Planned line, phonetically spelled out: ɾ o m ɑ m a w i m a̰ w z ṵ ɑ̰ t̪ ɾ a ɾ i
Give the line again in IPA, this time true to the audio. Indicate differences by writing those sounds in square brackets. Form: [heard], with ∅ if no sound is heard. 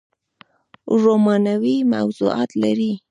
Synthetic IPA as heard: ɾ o m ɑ [n] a w i m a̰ w z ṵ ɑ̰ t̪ [l] a ɾ i